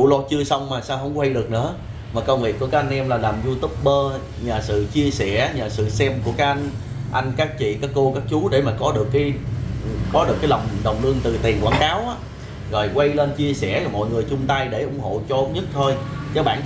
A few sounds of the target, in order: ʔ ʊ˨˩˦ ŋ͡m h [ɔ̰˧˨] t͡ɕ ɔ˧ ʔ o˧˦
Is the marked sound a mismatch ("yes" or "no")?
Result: yes